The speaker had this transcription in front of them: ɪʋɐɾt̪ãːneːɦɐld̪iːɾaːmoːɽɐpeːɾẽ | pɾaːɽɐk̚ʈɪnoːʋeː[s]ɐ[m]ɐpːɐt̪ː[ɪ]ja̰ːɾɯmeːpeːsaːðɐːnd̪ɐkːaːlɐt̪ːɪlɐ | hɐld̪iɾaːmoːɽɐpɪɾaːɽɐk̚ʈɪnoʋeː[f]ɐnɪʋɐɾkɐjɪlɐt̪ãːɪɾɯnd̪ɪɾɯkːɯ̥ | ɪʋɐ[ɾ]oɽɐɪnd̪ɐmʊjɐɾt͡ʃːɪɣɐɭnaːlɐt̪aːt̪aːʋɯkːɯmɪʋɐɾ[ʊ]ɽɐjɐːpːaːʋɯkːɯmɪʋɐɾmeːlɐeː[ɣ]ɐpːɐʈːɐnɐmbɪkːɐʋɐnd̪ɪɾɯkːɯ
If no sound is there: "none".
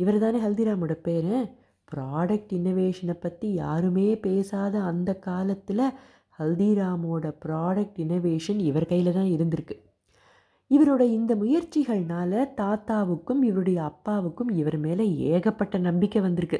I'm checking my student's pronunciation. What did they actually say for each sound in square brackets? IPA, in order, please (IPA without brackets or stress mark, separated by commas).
ʂ, n, i, ʂ, ɾ, ɯ, ɣ